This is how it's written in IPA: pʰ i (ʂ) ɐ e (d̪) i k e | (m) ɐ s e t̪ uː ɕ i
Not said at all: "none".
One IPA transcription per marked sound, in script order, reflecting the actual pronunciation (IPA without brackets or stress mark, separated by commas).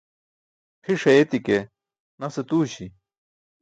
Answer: ʂ, t̪, n